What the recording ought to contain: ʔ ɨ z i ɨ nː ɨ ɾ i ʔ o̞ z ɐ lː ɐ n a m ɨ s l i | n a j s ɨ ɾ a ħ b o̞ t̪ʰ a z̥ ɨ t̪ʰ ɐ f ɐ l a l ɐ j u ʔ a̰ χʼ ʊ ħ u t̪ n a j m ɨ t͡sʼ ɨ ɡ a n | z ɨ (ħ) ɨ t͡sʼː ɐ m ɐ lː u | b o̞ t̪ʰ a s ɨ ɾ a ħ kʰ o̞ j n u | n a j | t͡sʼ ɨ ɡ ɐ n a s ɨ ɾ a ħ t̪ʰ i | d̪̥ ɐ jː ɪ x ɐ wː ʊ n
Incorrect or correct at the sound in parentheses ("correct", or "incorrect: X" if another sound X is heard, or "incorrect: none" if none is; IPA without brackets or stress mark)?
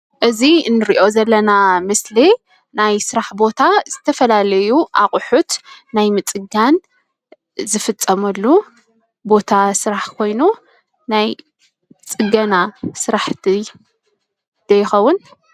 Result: incorrect: f